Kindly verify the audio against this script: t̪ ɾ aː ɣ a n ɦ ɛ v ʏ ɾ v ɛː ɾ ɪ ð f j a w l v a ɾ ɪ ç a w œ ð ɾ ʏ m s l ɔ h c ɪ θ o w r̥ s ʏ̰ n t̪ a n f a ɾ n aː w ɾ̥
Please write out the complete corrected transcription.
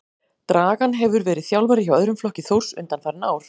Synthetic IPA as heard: t̪ ɾ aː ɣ a n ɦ ɛ v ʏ ɾ v ɛː ɾ ɪ ð θ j a w l v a ɾ ɪ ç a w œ ð ɾ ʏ m f l ɔ h c ɪ θ o w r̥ s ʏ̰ n t̪ a n f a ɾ n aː w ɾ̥